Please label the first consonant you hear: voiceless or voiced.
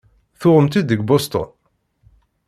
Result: voiceless